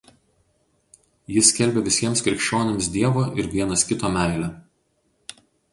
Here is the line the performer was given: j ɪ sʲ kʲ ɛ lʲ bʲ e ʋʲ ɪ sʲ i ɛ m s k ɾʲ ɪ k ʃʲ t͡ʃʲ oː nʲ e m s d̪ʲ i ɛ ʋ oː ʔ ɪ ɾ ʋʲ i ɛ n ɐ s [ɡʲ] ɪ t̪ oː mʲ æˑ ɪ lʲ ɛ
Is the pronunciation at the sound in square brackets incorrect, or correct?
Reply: incorrect